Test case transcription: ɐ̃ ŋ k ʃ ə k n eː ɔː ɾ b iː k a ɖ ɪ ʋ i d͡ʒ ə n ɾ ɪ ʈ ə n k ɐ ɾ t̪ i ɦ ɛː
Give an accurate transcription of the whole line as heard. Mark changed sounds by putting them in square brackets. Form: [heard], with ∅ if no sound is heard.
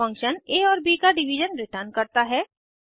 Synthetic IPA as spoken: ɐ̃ ŋ k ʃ ə [∅] n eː ɔː ɾ b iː k a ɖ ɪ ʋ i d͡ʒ ə n ɾ ɪ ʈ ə n k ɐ ɾ t̪ [a] ɦ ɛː